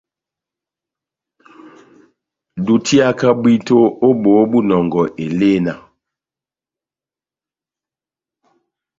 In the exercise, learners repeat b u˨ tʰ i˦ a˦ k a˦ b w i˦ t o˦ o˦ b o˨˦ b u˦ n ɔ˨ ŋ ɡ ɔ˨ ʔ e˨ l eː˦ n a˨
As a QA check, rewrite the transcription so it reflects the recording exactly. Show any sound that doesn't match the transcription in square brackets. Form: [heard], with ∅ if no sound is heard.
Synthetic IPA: [d] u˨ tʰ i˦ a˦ k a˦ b w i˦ t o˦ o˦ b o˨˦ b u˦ n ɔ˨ ŋ ɡ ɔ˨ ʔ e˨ l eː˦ n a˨